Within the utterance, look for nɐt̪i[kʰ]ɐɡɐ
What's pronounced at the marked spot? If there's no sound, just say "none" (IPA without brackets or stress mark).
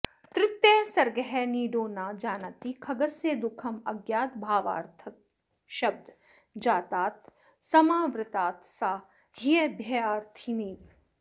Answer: kʰ